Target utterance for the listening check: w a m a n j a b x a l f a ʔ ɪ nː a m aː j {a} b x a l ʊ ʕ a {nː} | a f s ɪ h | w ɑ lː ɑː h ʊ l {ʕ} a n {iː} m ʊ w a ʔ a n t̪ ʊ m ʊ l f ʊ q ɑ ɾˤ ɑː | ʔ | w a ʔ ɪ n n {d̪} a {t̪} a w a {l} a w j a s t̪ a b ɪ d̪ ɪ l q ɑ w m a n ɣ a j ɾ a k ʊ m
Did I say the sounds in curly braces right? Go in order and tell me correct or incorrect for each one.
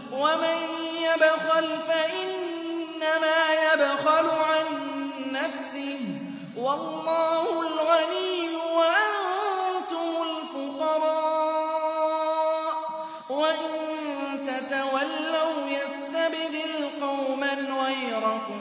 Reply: correct, correct, incorrect: ɣ, correct, incorrect: t̪, correct, incorrect: lː

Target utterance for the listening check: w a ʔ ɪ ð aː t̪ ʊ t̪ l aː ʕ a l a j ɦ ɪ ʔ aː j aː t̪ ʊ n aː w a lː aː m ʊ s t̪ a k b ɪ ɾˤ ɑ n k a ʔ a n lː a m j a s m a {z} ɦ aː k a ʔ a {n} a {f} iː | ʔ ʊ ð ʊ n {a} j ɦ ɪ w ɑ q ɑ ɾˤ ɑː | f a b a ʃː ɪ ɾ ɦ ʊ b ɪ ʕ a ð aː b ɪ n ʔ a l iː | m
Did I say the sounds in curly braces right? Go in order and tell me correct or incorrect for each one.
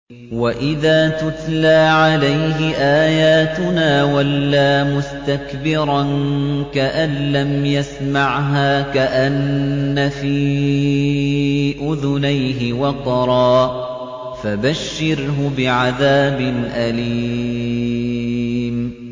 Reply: incorrect: ʕ, incorrect: nː, correct, correct

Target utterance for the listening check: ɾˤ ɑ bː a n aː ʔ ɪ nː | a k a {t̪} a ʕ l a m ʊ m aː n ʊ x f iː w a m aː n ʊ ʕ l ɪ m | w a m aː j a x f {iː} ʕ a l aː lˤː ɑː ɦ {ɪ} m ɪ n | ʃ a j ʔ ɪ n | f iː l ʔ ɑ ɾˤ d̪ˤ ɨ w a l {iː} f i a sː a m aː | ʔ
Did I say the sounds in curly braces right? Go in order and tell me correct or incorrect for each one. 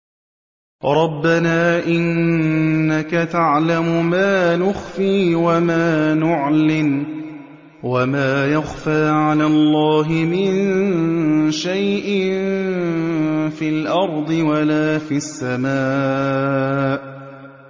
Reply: correct, incorrect: aː, correct, incorrect: aː

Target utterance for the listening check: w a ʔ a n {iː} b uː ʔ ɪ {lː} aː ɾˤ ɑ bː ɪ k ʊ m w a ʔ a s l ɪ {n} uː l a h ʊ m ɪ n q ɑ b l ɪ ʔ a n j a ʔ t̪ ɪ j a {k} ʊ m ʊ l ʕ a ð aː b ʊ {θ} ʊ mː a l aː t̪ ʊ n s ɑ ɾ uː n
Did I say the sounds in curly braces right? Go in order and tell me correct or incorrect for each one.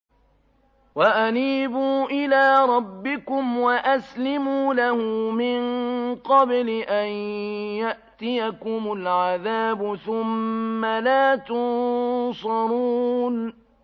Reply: correct, incorrect: l, incorrect: m, correct, correct

